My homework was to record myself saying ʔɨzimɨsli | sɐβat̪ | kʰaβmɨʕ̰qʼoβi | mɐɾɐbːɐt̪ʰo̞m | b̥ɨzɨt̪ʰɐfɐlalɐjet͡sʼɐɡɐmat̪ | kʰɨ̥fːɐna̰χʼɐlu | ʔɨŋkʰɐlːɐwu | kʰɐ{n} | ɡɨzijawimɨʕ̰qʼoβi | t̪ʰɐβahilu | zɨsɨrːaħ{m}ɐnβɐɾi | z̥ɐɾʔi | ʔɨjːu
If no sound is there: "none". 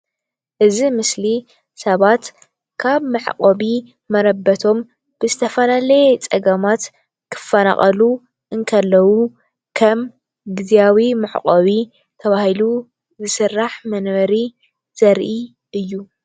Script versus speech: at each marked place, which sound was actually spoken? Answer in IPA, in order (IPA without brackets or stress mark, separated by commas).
m, m